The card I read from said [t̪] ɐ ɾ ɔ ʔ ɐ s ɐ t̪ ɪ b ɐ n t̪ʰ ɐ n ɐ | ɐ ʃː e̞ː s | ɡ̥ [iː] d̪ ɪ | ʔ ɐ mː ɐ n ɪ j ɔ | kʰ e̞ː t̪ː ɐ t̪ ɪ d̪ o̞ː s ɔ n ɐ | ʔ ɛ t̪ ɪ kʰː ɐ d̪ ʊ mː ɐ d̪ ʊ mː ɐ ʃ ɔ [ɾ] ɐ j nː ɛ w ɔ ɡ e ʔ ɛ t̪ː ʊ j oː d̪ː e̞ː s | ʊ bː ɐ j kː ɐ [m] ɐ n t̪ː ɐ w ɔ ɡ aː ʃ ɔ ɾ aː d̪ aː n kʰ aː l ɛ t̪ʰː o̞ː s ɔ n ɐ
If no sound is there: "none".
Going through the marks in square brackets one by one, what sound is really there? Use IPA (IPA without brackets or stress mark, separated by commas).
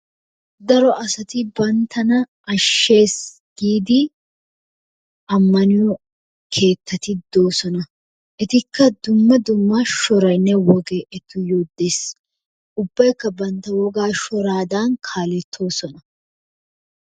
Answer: d̪, iː, ɾ, b